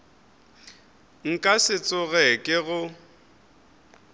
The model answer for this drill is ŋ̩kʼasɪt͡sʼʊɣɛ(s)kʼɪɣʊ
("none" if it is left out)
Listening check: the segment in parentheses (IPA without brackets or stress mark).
none